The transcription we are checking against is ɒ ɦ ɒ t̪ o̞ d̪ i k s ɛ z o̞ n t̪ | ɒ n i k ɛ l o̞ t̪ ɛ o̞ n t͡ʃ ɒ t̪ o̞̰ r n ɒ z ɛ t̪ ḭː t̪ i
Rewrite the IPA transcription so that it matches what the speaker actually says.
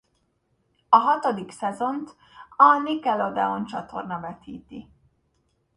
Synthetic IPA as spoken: ɒ ɦ ɒ t̪ o̞ d̪ i k s ɛ z o̞ n t̪ | ɒ n i k ɛ l o̞ d̪ ɛ o̞ n t͡ʃ ɒ t̪ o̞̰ r n ɒ v ɛ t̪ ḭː t̪ i